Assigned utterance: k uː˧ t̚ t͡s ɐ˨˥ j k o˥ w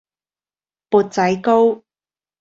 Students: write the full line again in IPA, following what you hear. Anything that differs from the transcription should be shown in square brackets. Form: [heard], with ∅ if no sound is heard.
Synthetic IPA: [p] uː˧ t̚ t͡s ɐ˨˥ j k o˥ w